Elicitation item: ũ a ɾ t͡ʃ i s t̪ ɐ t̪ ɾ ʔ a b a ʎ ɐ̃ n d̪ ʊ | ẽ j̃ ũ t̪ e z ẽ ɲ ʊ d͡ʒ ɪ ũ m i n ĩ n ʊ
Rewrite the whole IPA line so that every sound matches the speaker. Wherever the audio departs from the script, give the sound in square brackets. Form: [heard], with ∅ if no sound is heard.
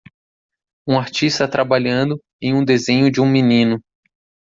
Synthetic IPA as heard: ũ a ɾ t͡ʃ i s t̪ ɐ t̪ ɾ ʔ a b a ʎ ɐ̃ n d̪ ʊ | ẽ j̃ ũ [d̪] e z ẽ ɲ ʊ d͡ʒ ɪ ũ m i n ĩ n ʊ